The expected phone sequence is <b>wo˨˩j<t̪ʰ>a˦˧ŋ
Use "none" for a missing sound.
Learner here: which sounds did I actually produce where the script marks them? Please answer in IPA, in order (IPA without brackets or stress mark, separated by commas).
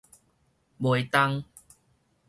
b, t̪